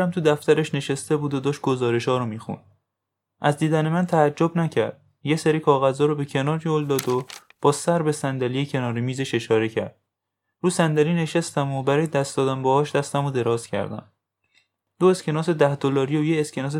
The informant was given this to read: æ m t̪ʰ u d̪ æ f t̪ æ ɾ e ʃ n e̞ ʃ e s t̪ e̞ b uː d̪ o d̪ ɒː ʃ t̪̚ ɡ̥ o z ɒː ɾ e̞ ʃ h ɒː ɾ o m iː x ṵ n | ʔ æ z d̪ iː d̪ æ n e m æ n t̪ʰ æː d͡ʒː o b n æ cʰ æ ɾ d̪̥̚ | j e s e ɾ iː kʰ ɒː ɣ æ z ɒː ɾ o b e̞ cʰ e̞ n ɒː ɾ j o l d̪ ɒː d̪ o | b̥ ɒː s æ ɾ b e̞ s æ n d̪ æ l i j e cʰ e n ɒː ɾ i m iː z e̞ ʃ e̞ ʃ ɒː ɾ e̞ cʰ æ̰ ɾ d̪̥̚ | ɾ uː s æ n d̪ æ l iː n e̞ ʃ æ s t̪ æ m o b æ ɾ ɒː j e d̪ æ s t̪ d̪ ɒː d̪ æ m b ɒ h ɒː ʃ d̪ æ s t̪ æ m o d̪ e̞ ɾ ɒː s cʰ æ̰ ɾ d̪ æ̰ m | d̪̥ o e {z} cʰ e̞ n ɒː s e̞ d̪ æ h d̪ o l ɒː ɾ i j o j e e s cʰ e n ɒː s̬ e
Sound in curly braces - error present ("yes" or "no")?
yes